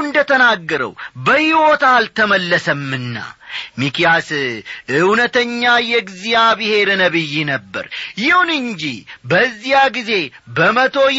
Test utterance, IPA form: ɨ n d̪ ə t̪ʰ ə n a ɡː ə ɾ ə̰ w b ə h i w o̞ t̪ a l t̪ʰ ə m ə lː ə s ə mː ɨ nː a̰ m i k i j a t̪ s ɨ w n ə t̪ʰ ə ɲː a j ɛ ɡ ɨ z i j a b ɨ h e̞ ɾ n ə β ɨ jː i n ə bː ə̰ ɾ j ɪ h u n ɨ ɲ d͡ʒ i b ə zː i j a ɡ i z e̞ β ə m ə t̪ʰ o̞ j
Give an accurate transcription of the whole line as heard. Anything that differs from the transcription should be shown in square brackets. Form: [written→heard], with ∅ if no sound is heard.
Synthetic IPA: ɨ n d̪ ə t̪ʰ ə n a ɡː ə ɾ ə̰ w b ə h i w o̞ t̪ a l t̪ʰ ə m ə lː ə s ə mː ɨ nː a̰ m i k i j a [t̪→∅] s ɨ w n ə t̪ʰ ə ɲː a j ɛ ɡ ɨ z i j a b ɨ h e̞ ɾ n ə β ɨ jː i n ə bː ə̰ ɾ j ɪ h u n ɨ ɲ d͡ʒ i b ə zː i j a ɡ i z e̞ [β→b] ə m ə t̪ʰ o̞ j